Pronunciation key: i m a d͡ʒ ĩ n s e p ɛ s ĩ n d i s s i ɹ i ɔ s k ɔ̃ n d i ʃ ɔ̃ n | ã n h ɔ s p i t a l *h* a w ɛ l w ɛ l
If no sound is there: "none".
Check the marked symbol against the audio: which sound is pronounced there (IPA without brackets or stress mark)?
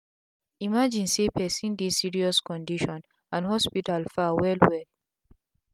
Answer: f